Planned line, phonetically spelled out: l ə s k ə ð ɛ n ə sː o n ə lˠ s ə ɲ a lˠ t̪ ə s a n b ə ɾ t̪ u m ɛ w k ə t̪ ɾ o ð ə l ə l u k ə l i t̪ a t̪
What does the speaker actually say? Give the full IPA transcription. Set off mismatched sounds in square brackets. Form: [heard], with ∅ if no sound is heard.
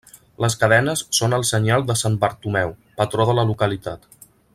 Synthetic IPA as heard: l ə s k ə ð ɛ n ə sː o n ə lˠ s ə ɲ a lˠ [d̪] ə s a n b ə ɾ t̪ u m ɛ w [p] ə t̪ ɾ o ð ə l ə l u k ə l i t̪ a t̪